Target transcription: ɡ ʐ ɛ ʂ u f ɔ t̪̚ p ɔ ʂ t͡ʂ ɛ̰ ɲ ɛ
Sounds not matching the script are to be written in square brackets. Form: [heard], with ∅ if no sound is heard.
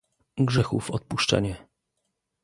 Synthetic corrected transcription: ɡ ʐ ɛ [x] u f ɔ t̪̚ p [u] ʂ t͡ʂ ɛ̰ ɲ ɛ